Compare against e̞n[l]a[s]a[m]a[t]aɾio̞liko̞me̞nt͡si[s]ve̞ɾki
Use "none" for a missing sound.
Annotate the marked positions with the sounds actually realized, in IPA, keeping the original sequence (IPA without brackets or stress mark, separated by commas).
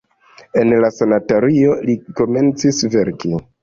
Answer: l, s, n, t, s